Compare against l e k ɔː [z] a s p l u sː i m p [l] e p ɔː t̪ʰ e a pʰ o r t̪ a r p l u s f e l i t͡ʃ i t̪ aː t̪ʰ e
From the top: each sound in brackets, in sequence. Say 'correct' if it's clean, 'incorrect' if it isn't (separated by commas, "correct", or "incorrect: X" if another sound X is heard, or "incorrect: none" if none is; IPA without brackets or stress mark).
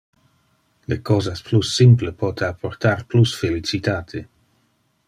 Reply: correct, correct